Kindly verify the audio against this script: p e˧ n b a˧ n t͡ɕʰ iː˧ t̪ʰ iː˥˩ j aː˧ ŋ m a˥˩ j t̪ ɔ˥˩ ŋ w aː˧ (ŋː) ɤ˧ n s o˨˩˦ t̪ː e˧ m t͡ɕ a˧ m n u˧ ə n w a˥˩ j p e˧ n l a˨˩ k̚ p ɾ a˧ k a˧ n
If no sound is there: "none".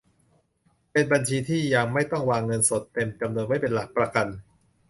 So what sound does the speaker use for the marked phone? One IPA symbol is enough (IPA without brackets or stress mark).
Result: ŋː